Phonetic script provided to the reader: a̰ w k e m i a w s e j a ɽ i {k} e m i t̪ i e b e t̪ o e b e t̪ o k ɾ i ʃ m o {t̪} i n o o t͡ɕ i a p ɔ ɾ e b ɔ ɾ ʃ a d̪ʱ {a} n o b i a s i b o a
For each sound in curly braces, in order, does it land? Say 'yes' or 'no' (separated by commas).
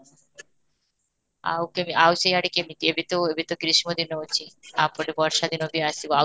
yes, no, no